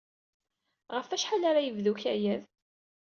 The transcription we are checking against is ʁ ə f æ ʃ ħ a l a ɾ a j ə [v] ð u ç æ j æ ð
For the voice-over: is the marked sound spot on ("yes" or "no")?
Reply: yes